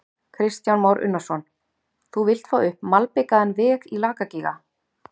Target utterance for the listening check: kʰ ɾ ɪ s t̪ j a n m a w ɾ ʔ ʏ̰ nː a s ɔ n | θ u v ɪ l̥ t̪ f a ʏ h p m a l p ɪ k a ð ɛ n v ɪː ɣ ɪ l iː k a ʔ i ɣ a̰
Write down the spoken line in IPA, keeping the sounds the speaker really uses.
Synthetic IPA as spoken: kʰ ɾ ɪ s t̪ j a n m a w ɾ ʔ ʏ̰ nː a s ɔ n | θ u v ɪ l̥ t̪ f a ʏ h p m a l p ɪ k a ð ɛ n v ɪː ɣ i l aː k a c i ɣ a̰